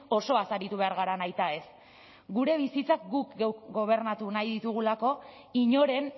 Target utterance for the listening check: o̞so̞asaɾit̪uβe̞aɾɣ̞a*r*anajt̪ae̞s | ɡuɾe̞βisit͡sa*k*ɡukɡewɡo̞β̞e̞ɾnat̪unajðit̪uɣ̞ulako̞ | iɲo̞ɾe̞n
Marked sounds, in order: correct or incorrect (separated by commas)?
incorrect, correct